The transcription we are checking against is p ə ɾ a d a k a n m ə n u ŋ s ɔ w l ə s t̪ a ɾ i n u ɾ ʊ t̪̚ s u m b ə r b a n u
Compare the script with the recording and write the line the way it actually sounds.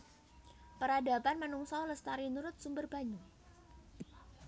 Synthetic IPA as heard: p ə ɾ a d a p a n m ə n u ŋ s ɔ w l ə s t̪ a ɾ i n u ɾ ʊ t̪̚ s u m b ə r b a ɲ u